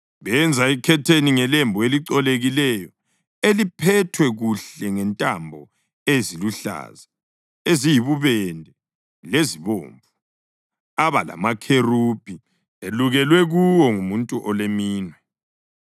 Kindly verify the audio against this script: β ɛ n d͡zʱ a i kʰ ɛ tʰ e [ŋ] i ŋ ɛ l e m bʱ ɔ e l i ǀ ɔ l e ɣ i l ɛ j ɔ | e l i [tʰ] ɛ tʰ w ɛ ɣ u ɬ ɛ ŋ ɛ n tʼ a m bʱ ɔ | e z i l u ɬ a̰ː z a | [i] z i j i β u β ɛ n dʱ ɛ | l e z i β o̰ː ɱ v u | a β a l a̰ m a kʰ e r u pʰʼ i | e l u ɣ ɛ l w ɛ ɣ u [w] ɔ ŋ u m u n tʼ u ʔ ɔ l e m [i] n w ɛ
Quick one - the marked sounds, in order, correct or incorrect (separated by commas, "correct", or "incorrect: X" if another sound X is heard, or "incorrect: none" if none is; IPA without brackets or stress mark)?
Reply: incorrect: n, incorrect: pʰ, incorrect: e, correct, incorrect: iː